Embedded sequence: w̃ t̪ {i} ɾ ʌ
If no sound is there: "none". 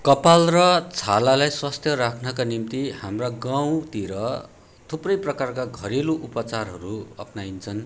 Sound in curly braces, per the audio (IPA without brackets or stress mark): i